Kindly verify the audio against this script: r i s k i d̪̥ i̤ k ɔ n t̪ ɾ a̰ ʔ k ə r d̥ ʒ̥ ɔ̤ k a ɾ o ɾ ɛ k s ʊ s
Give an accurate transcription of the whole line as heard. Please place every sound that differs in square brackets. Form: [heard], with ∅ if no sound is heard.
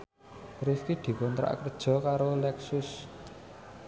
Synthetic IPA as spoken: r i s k i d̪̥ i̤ k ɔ n t̪ ɾ a̰ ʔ k ə r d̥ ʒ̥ ɔ̤ k a ɾ o [l] ɛ k s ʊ s